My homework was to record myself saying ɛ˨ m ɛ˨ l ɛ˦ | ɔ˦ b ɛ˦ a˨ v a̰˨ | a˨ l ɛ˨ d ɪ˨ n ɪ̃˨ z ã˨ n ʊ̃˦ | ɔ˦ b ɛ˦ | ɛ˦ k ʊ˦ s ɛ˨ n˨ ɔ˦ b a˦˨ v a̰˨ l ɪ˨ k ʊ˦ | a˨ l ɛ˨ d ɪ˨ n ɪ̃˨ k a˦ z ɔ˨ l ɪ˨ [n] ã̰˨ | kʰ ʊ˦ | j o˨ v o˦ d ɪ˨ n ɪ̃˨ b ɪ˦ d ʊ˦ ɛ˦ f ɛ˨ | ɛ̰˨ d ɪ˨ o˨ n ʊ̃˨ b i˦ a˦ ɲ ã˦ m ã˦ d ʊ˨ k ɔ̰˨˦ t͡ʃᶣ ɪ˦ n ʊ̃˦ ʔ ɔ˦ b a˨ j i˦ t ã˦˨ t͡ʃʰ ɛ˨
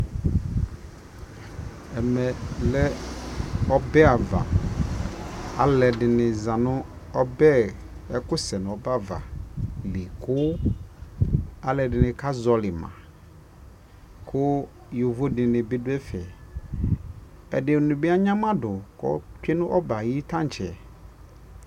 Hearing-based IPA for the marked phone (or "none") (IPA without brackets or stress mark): m